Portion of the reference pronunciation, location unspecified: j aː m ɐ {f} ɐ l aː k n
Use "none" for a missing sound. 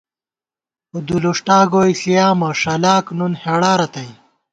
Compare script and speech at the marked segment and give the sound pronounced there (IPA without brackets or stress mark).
ʂ